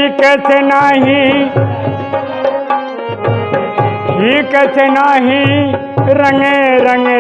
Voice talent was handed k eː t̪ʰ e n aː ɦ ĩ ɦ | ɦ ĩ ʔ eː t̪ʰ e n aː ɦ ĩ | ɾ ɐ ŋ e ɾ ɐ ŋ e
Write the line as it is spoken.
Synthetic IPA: k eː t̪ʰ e n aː ɦ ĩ | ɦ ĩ k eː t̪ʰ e n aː ɦ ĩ | ɾ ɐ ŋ e ɾ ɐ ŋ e

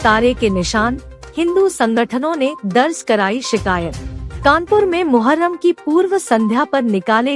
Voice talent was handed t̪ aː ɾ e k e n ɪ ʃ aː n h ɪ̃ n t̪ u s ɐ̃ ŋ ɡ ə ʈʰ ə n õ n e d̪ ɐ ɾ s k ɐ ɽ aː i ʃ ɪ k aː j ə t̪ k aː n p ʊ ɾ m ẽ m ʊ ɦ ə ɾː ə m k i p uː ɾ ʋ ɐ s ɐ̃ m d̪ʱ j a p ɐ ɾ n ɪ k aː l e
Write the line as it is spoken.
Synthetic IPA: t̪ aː ɾ e k e n ɪ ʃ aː n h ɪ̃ n d̪ u s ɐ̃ ŋ ɡ ə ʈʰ ə n õ n e d̪ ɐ ɾ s k ɐ ɾ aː i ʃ ɪ k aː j ə t̪ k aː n p ʊ ɾ m ẽ m ʊ ɦ ə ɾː ə m k i p uː ɾ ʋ ə s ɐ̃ n d̪ʱ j a p ɐ ɾ n ɪ k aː l e

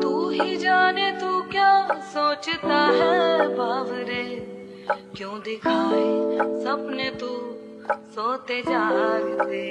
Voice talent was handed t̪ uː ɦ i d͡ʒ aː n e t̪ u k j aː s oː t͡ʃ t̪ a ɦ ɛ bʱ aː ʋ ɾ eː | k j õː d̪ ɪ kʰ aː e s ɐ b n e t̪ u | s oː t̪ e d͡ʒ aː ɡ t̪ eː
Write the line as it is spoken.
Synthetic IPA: t̪ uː ɦ i d͡ʒ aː n e t̪ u k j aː s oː t͡ʃ t̪ a ɦ ɛ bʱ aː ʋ ɾ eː | k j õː d̪ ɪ kʰ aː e s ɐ b n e t̪ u | s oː t̪ e d͡ʒ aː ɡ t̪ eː

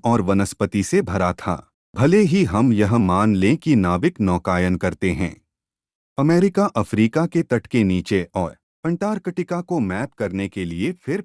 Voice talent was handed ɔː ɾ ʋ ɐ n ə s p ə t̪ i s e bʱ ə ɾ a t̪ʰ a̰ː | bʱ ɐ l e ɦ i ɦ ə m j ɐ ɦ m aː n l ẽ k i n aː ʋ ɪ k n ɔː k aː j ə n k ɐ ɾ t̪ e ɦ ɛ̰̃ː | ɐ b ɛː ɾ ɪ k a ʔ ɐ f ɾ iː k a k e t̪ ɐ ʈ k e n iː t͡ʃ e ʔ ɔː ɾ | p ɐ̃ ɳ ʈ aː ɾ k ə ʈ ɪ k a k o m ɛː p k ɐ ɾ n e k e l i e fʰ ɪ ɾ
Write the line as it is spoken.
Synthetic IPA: ɔː ɾ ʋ ɐ n ə s p ə t̪ i s e bʱ ɐ ɾ a t̪ʰ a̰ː | bʱ ɐ l e ɦ i ɦ ɐ m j ɐ ɦ m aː n l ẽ k i n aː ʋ ɪ k n ɔː k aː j ə n k ɐ ɾ t̪ e ɦ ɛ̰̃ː | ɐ m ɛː ɾ ɪ k a ʔ ɐ f ɾ iː k a k e t̪ ɐ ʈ k e n iː t͡ʃ e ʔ ɔː ɾ | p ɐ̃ ɳ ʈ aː ɾ k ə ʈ ɪ k a k o m ɛː p k ɐ ɾ n e k e l i e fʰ ɪ ɾ

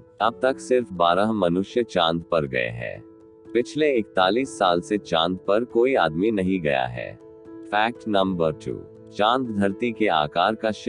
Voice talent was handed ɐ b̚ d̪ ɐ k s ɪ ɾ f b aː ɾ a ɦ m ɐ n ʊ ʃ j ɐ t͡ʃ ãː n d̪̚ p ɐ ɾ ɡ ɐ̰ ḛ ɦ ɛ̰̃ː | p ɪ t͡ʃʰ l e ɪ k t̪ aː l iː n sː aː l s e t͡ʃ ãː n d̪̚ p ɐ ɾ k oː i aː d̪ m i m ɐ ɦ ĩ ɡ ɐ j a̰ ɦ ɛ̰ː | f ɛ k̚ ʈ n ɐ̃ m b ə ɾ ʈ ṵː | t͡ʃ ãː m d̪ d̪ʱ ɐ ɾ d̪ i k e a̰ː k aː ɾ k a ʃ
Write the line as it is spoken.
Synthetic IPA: ɐ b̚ t̪ ɐ k s ɪ ɾ f b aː ɾ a ɦ m ɐ n ʊ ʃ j ə t͡ʃ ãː n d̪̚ p ɐ ɾ ɡ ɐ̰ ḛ ɦ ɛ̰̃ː | p ɪ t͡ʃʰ l e ɪ k t̪ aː l iː sː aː l s e t͡ʃ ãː n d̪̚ p ɐ ɾ k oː i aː d̪ m i n ɐ ɦ ĩ ɡ ɐ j a̰ ɦ ɛ̰ː | f ɛː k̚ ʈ n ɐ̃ m b ə ɾ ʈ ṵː | t͡ʃ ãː n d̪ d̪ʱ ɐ ɾ t̪ i k e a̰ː k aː ɾ k a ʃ

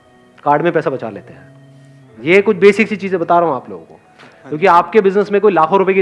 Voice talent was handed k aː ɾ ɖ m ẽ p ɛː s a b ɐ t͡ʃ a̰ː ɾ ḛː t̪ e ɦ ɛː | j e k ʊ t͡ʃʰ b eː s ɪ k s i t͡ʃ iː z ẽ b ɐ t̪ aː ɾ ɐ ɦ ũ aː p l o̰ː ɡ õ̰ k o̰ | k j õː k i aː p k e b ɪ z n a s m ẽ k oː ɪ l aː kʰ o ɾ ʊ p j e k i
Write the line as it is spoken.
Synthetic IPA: k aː ɾ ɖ m ẽ p ɛː s a b ɐ t͡ʃ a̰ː l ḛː t̪ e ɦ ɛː | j e k ʊ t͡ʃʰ b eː s ɪ k s i t͡ʃ iː z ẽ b ɐ t̪ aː ɾ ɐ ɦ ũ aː p l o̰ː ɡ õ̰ k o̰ | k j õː k i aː p k e b ɪ z n ə s m ẽ k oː i l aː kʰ o ɾ ʊ p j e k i

